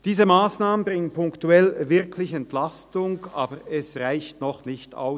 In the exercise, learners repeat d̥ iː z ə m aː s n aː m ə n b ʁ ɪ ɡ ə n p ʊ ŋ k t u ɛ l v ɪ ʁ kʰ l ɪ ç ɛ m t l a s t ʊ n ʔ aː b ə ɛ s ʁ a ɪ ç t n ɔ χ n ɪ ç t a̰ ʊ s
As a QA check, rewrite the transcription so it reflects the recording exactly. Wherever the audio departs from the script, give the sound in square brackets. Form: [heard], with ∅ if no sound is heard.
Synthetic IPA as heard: d̥ iː z ə m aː s n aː m ə n b ʁ ɪ [ŋ] ə n p ʊ ŋ k t u ɛ l v ɪ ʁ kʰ l ɪ ç ɛ [n] t l a s t ʊ [ŋ] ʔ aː b ə ɛ s ʁ a ɪ ç t n ɔ χ n ɪ ç t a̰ ʊ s

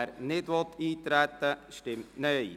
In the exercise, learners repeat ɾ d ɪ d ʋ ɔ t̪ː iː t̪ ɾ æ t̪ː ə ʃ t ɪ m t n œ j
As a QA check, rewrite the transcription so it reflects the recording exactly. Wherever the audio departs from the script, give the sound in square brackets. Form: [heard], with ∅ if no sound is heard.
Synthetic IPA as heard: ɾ [n] ɪ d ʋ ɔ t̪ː iː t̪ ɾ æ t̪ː ə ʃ t ɪ m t n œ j

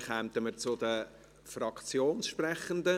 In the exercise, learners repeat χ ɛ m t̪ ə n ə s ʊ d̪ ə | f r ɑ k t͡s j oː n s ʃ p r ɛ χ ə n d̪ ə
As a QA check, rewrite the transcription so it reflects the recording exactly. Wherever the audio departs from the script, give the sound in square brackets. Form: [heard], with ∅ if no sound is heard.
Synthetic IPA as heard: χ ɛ m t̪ ə [m] ə [t͡s] ʊ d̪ ə | f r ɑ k t͡s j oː n s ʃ p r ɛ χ ə n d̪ ə

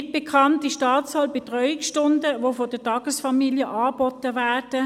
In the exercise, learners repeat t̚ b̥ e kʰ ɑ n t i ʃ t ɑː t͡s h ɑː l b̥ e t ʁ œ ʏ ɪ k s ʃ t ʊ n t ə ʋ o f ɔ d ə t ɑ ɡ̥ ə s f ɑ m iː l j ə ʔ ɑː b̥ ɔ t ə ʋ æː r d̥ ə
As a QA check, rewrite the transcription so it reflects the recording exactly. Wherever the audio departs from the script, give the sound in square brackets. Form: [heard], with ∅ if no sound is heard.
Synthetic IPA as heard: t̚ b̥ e kʰ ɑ n t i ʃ t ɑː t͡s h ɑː l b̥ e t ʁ œ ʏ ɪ k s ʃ t ʊ n [d] ə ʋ o f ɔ d ə t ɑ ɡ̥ ə s f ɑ m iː l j ə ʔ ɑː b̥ ɔ t ə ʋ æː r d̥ ə

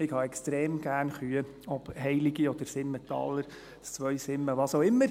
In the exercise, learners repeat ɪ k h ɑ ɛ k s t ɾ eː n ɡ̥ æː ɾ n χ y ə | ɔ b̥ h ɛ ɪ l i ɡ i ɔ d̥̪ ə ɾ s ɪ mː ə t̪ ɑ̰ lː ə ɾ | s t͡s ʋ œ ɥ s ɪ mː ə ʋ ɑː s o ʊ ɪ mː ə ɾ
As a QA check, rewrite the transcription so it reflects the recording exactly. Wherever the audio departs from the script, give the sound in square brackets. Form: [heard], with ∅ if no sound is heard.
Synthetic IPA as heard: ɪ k h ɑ ɛ k s t ɾ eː [m] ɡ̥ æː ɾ n χ y ə | ɔ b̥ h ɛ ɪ l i ɡ i ɔ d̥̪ ə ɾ s ɪ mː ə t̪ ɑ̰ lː ə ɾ | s t͡s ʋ œ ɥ s ɪ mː ə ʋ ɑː s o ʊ ɪ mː ə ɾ

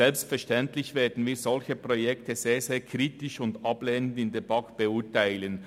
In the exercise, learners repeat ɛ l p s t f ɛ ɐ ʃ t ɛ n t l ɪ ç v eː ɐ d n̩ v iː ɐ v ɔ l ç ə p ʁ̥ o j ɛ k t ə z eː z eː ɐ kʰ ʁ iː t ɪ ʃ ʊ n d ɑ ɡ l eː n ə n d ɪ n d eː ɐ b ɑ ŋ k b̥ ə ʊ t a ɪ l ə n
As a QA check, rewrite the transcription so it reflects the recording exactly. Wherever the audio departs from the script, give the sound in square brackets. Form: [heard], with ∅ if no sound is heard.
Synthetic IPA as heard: ɛ l p s t f ɛ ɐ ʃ t ɛ n t l ɪ ç v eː ɐ d n̩ v iː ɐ [z] ɔ l ç ə p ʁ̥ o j ɛ k t ə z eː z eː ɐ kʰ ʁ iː t ɪ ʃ ʊ n d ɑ [b] l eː n ə n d ɪ n d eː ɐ b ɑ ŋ k b̥ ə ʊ t a ɪ l ə n

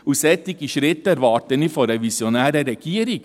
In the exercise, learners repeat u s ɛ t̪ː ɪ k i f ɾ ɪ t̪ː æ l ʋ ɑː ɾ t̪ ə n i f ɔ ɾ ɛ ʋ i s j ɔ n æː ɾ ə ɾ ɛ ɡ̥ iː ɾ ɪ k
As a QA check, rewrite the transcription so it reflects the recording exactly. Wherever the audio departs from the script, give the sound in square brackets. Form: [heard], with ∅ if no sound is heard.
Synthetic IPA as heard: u s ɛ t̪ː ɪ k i [ʃ] ɾ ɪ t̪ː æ [ɾ] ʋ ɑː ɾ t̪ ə n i f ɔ ɾ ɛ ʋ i s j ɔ n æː ɾ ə ɾ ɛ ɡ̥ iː ɾ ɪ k

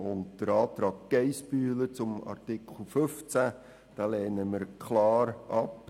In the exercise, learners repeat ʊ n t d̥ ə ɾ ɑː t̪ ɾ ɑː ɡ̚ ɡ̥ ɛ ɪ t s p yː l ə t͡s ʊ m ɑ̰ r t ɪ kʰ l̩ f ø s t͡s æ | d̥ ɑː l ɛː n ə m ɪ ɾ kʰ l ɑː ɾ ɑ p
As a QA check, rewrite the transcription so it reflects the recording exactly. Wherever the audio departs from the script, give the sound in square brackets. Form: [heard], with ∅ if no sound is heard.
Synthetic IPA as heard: ʊ n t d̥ ə ɾ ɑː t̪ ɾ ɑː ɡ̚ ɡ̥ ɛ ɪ [∅] s p yː l ə t͡s ʊ m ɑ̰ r t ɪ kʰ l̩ f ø [f] t͡s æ | d̥ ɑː l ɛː n ə m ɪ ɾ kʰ l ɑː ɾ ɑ p

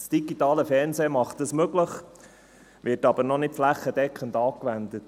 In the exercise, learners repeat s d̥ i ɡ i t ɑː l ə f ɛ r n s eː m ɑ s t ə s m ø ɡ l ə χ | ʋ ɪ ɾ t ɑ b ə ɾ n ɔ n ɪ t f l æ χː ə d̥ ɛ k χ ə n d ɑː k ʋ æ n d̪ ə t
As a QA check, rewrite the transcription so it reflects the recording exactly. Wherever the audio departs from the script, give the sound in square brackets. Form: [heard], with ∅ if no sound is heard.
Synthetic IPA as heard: s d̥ i ɡ i t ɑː l ə f ɛ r n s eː m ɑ [χ] t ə s m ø ɡ l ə χ | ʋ ɪ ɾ t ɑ b ə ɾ n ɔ n ɪ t f l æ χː ə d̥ ɛ k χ ə n d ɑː k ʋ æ n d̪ ə t

